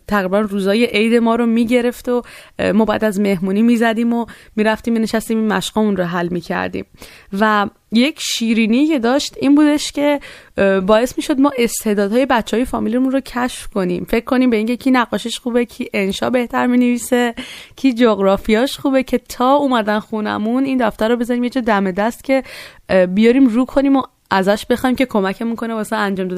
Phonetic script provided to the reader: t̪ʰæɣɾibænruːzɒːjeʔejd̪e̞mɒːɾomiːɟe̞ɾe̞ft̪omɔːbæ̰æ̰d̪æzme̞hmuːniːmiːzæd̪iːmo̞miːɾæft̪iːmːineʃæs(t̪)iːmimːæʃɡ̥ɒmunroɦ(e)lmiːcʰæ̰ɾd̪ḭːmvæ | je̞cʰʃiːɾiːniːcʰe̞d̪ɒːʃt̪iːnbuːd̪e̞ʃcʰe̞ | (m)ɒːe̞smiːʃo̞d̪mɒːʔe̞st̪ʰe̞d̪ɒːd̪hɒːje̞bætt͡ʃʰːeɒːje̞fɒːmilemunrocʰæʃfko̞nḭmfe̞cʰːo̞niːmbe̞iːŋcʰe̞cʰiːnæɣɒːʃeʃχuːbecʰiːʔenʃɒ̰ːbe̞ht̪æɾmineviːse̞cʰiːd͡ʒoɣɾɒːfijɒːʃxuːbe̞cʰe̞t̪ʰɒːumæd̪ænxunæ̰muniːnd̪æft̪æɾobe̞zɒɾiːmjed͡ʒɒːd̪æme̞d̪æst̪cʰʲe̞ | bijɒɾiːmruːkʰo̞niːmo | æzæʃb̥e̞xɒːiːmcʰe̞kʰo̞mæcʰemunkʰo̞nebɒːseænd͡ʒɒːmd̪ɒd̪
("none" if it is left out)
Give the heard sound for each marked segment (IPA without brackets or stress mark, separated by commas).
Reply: t̪, æ, b